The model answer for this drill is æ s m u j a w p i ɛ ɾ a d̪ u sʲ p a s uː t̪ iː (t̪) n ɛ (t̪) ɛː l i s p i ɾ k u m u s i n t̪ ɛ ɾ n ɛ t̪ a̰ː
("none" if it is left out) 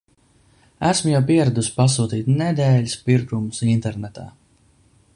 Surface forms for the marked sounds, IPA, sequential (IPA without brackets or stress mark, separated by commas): t̪, d̪